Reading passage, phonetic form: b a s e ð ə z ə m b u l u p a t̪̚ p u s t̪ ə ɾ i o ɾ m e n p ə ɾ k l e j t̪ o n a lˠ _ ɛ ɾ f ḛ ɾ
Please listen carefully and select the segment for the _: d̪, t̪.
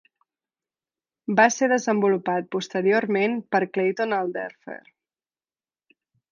d̪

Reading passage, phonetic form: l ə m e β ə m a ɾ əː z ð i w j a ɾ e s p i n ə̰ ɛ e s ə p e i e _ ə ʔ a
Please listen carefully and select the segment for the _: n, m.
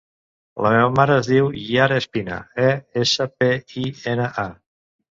n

